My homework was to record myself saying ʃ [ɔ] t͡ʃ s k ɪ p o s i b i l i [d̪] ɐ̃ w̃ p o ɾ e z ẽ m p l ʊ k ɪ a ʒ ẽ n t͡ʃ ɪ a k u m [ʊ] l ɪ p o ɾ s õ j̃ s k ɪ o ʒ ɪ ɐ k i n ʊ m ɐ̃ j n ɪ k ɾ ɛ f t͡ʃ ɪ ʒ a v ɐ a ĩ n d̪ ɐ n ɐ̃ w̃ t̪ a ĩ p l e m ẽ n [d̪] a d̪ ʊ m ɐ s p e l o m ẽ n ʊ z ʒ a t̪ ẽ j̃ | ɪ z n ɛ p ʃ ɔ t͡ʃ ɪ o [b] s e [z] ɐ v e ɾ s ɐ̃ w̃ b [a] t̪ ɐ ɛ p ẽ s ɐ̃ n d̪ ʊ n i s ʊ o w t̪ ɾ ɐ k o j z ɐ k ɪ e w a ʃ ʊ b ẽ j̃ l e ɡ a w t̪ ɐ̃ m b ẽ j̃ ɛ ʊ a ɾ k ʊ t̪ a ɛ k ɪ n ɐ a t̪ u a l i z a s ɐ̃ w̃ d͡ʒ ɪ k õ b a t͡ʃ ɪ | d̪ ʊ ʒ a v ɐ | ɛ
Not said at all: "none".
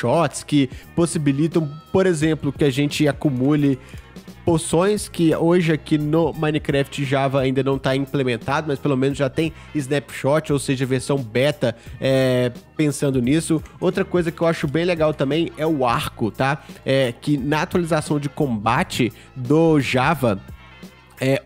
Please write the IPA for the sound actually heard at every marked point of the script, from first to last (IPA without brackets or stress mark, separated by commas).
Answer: ɔ, t̪, u, t̪, w, ʒ, ɛ